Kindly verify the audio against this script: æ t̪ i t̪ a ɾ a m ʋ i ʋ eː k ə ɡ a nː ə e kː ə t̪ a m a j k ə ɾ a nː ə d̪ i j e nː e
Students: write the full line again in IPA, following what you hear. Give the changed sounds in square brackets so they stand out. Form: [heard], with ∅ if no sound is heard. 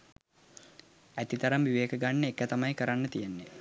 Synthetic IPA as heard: æ t̪ i t̪ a ɾ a m ʋ i ʋ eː k ə ɡ a nː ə e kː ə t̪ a m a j k ə ɾ a nː ə [t̪] i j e nː e